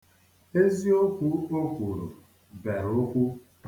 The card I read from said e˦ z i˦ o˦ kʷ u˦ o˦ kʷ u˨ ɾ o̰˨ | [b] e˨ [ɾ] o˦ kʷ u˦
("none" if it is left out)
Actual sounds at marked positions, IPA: b, ɾ

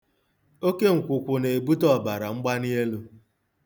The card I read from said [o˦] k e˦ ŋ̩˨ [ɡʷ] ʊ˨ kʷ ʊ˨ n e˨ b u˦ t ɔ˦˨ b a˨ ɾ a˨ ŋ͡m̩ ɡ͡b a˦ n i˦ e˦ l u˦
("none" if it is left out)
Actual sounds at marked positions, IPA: o˦, kʷ

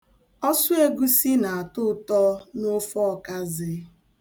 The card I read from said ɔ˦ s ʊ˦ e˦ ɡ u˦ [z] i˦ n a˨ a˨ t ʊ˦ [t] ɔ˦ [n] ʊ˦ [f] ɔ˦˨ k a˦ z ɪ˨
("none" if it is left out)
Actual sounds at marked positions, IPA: s, t, n, f

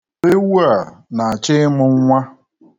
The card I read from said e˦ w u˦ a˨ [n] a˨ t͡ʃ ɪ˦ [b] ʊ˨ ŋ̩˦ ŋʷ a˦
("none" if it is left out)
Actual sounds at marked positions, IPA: n, m

